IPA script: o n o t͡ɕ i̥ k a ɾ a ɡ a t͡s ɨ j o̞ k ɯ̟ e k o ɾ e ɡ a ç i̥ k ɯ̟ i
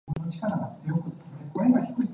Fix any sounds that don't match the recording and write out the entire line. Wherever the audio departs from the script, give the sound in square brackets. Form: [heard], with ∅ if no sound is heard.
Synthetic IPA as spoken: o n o t͡ɕ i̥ k a ɾ a ɡ a t͡s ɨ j o̞ k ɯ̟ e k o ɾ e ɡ a ç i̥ k ɯ̟ i